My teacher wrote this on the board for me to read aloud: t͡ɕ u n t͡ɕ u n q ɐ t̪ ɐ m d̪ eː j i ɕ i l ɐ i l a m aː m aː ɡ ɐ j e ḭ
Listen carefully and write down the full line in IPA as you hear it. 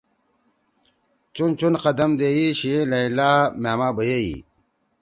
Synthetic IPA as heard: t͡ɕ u n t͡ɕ u n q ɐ d̪ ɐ m d̪ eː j i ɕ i l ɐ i l a m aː m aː b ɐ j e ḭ